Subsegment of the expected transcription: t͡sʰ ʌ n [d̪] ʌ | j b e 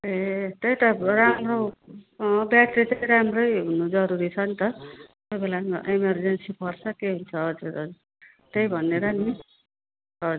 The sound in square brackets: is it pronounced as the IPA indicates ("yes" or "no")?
no